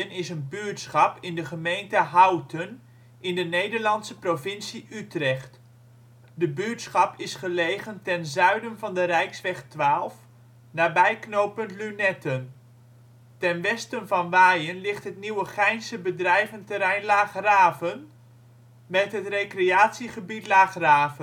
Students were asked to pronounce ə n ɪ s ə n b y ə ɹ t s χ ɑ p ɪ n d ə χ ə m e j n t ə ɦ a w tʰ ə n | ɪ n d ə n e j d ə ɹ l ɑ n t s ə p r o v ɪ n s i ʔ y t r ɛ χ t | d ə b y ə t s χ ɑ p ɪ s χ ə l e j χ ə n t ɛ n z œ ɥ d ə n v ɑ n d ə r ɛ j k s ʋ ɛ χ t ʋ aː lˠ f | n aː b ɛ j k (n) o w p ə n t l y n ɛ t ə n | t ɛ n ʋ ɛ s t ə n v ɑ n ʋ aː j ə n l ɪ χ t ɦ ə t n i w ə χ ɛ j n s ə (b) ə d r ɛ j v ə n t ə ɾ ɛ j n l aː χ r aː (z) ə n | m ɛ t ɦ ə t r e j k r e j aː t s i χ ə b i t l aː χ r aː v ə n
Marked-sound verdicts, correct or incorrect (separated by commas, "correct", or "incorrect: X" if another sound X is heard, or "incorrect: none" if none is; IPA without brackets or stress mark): correct, correct, incorrect: v